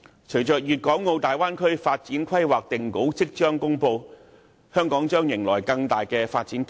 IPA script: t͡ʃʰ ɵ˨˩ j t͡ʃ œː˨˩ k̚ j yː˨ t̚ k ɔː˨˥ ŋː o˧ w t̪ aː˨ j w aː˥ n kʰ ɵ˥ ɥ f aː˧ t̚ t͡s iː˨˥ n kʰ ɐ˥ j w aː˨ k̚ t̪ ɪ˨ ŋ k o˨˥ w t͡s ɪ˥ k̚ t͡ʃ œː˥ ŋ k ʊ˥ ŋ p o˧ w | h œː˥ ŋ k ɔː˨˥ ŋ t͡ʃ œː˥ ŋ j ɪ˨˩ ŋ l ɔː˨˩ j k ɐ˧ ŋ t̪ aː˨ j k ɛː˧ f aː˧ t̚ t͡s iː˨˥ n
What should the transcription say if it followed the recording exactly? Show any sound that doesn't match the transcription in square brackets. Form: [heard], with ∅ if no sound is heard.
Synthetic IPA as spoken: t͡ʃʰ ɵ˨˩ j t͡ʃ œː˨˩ k̚ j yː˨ t̚ k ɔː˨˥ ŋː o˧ w t̪ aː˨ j w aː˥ n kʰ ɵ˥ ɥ f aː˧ t̚ t͡s iː˨˥ n kʰ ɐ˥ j w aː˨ k̚ t̪ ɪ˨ ŋ k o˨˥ w t͡s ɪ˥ k̚ t͡ʃ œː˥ ŋ k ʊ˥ ŋ p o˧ w | h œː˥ ŋ k ɔː˨˥ ŋ t͡ʃ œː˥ ŋ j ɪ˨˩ ŋ l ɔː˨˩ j k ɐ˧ ŋ t̪ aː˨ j k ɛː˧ f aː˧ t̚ t͡s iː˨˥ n